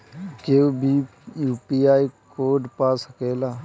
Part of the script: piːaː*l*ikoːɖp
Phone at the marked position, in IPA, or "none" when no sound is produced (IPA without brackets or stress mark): none